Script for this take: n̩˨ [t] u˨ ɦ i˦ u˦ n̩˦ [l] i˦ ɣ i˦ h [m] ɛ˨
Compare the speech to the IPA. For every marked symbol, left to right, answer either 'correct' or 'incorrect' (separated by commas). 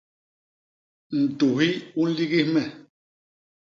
correct, correct, correct